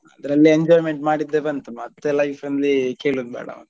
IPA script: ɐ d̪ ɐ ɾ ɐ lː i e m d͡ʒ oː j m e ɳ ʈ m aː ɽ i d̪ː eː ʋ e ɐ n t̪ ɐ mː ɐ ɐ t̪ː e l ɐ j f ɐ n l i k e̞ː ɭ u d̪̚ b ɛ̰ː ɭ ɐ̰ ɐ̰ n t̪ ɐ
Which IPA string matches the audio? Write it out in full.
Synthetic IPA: ɐ d̪ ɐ ɾ ɐ lː i e ɲ d͡ʒ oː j m e ɳ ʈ m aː ɽ i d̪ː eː ʋ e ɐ n t̪ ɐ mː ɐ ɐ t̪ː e l ɐ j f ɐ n l i k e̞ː ɭ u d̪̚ b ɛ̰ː ɽ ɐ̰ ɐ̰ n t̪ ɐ